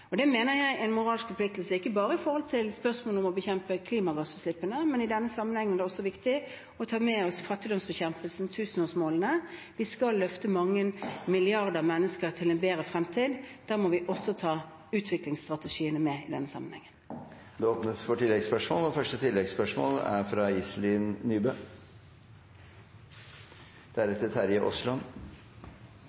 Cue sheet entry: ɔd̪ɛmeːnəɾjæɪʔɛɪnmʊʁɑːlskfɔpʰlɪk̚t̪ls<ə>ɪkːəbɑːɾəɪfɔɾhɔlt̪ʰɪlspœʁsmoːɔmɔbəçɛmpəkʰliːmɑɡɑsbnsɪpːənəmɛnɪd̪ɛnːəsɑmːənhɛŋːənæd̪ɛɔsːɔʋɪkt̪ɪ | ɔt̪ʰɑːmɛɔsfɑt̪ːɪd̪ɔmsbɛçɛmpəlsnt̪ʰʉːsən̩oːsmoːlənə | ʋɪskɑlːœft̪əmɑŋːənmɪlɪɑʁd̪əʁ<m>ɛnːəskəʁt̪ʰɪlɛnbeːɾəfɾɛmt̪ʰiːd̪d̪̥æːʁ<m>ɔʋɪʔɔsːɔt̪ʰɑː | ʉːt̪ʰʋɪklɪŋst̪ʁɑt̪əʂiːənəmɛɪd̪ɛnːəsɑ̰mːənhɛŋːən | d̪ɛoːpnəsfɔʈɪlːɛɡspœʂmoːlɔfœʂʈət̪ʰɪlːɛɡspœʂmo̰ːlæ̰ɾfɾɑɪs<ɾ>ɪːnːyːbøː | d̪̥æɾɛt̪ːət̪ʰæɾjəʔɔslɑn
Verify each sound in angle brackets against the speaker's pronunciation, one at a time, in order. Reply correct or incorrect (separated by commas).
correct, correct, correct, incorrect